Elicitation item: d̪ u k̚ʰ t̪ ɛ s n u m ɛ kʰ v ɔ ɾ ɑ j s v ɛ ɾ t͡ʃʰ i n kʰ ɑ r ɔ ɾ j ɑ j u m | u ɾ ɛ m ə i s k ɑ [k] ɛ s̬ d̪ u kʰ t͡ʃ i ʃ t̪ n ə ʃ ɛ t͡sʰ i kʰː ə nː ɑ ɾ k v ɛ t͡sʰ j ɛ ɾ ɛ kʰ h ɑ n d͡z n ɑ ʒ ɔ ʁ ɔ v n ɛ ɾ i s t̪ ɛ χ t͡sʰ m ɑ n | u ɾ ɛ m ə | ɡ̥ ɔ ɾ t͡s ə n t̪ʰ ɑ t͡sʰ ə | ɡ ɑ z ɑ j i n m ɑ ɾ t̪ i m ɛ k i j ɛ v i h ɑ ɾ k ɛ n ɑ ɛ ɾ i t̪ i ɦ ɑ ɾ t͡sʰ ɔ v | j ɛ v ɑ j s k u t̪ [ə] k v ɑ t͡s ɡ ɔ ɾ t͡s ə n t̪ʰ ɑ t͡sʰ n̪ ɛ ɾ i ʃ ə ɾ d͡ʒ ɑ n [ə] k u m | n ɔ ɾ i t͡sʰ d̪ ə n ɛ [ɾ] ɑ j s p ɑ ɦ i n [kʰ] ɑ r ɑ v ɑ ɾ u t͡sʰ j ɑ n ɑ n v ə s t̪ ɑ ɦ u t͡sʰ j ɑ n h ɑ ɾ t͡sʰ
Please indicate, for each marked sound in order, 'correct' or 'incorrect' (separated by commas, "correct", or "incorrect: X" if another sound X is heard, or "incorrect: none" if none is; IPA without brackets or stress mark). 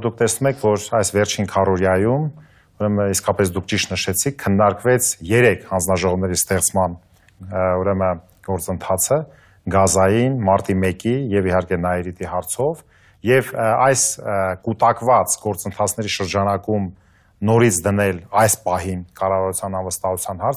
incorrect: p, incorrect: ɑ, incorrect: ɑ, incorrect: l, incorrect: k